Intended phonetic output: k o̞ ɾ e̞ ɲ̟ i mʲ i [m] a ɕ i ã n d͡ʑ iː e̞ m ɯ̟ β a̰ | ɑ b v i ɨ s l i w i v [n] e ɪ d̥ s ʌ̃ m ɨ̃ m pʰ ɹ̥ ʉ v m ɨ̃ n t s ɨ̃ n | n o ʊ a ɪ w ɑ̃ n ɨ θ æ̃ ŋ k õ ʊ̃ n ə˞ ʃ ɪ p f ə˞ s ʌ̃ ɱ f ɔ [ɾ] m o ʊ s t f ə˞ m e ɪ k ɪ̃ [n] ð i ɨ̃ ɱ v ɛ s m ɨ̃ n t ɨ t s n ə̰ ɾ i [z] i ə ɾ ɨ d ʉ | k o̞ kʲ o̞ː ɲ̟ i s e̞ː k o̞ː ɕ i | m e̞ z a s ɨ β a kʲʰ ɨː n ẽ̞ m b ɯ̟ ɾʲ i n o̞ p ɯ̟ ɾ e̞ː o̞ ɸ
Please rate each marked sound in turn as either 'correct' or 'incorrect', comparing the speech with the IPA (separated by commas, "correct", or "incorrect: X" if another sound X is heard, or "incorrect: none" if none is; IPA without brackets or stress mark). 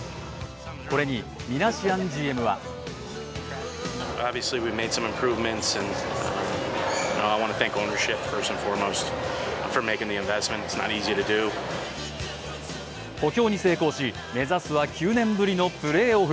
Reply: incorrect: n, incorrect: m, incorrect: ɹ, incorrect: ŋ, correct